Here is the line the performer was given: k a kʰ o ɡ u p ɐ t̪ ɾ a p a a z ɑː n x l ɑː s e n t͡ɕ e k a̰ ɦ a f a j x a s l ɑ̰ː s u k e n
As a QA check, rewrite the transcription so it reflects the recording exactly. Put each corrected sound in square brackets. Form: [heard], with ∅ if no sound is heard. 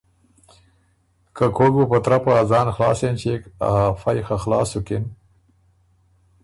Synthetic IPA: k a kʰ o ɡ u p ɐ t̪ ɾ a p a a z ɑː n x l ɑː s e n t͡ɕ e k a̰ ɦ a f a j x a [x] l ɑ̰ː s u k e n